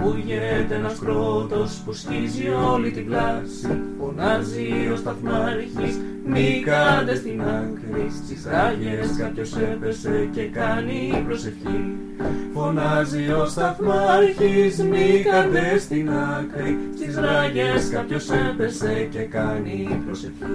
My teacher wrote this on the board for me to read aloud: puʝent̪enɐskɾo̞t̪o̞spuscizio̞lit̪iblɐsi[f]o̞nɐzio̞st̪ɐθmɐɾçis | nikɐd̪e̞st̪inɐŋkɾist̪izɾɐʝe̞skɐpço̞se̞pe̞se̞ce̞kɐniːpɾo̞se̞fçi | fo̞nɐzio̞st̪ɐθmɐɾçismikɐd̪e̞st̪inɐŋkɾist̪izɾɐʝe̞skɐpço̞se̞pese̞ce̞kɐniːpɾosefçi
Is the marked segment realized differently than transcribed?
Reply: no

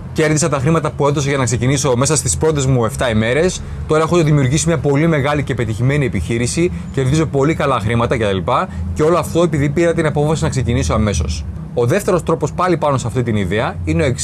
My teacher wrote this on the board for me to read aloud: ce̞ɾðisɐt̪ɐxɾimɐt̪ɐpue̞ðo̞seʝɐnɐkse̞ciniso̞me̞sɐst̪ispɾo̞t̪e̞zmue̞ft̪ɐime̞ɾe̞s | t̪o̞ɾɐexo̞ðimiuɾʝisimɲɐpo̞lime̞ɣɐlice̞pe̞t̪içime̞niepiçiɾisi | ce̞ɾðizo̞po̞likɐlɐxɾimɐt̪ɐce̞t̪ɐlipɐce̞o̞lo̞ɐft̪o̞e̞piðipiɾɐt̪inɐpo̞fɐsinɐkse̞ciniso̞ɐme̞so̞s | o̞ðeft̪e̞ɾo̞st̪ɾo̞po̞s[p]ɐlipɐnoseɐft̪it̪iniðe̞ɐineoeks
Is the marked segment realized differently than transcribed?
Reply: no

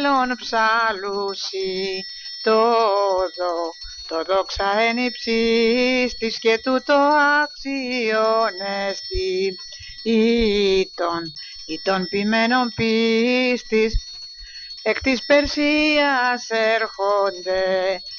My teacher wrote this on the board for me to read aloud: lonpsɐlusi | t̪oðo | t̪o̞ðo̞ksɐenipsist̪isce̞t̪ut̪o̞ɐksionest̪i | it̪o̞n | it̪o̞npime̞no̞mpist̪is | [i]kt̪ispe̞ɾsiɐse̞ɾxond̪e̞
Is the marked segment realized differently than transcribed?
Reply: yes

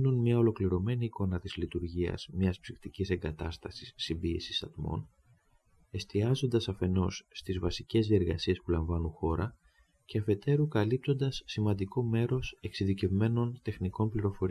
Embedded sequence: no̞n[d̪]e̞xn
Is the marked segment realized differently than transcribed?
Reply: yes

